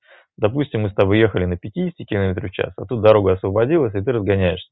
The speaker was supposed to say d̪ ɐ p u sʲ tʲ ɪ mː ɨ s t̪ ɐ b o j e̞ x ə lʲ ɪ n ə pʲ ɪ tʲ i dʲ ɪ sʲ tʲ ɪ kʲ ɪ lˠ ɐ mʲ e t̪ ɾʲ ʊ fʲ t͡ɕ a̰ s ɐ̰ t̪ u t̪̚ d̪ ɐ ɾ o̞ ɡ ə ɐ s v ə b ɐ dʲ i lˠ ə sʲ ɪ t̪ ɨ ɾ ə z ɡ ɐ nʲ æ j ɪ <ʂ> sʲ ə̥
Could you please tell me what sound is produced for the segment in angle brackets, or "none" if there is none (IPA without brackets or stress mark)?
ʂ